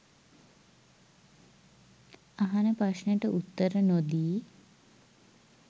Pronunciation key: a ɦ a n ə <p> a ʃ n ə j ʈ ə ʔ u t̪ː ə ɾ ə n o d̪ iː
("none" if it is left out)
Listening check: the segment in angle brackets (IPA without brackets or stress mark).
p